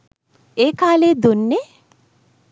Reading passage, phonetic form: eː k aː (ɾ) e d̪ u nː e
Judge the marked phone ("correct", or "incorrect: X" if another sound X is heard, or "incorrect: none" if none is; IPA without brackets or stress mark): incorrect: l